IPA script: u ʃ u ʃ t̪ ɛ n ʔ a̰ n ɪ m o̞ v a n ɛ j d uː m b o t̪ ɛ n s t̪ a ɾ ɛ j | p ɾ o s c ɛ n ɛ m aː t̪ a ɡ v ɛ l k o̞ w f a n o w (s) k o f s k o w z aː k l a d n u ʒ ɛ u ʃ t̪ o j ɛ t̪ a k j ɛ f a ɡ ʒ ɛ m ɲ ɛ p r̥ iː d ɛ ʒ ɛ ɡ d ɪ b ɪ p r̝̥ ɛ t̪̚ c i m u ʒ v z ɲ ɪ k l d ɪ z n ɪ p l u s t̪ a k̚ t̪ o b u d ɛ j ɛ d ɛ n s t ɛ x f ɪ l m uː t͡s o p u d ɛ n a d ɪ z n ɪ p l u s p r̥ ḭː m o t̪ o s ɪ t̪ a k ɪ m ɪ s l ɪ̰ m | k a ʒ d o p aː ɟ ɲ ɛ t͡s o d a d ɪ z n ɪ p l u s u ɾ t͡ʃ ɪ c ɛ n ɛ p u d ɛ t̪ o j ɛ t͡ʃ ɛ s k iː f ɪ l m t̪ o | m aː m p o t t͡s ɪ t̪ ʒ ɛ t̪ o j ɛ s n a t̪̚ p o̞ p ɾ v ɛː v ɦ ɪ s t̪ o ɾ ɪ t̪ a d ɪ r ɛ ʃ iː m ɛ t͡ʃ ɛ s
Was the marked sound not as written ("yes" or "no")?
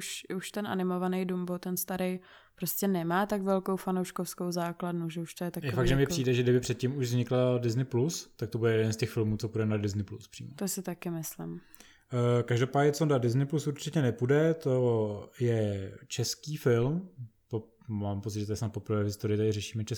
yes